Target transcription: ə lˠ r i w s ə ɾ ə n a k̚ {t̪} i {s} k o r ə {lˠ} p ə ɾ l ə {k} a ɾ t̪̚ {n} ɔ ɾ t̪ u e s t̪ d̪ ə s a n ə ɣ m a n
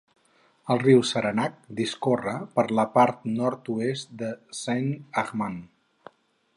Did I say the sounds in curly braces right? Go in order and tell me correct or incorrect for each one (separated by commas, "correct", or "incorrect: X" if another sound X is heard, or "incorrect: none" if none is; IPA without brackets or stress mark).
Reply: incorrect: d̪, correct, incorrect: none, incorrect: p, correct